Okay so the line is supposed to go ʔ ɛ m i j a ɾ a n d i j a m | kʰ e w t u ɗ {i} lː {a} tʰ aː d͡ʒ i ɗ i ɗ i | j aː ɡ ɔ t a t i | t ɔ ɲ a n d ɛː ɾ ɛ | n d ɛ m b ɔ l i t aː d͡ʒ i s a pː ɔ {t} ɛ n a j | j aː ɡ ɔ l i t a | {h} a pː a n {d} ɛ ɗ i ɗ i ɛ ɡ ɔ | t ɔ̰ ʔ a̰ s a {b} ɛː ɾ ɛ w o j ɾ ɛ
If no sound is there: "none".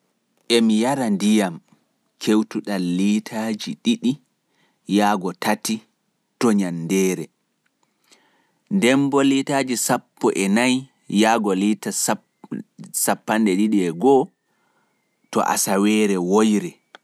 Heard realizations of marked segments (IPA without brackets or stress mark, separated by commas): a, i, ʔ, s, d, w